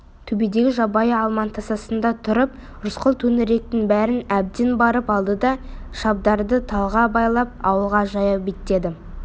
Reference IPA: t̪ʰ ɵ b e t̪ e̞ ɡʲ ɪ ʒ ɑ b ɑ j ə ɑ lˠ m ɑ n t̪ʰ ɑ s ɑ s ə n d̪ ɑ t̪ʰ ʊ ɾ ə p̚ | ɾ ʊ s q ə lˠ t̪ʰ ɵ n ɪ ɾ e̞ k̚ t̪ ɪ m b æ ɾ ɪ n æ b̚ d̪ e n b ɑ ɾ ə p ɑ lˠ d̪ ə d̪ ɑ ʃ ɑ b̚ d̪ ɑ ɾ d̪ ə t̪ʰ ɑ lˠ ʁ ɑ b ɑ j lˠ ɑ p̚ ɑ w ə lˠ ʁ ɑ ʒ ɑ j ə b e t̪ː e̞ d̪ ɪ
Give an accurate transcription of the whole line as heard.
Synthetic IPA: t̪ʰ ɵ b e d̪ e̞ ɡʲ ɪ ʒ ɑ b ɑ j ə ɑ lˠ m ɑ n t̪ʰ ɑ s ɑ s ə n d̪ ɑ t̪ʰ ʊ ɾ ə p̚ | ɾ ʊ s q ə lˠ t̪ʰ ɵ n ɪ ɾ e̞ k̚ t̪ ɪ ŋ b æ ɾ ɪ n æ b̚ d̪ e n b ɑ ɾ ə p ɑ lˠ d̪ ə d̪ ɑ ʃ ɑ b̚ d̪ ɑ ɾ d̪ ə t̪ʰ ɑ lˠ ʁ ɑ b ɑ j lˠ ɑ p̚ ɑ w ə lˠ ʁ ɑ ʒ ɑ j ɑ b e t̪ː e̞ d̪ ɪ